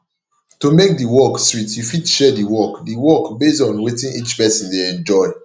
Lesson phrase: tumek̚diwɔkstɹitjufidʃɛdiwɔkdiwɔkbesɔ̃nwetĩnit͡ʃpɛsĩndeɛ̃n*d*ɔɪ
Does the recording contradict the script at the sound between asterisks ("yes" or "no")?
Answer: yes